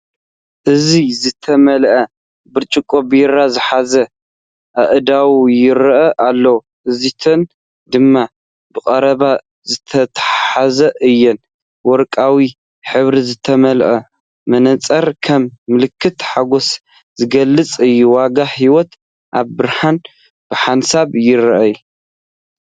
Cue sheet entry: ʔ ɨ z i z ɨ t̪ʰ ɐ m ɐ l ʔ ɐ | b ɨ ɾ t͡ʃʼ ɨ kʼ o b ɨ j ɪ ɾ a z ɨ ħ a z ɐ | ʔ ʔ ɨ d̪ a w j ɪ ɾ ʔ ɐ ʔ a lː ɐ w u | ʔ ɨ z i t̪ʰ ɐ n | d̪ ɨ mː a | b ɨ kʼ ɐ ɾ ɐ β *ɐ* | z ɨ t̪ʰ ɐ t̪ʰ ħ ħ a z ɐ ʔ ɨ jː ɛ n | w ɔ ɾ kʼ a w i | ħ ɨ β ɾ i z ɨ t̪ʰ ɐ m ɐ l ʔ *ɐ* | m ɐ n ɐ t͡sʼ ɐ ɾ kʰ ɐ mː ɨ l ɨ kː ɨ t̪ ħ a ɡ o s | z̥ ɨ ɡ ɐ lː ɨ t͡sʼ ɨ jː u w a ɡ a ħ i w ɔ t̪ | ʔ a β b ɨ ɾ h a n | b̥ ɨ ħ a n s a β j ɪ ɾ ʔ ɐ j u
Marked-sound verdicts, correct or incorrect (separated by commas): incorrect, correct